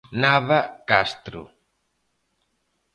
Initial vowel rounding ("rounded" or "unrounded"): unrounded